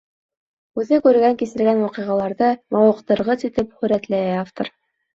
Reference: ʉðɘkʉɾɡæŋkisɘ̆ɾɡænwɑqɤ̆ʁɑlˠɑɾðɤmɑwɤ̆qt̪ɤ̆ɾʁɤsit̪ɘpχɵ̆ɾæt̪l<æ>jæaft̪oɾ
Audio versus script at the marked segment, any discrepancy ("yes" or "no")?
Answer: no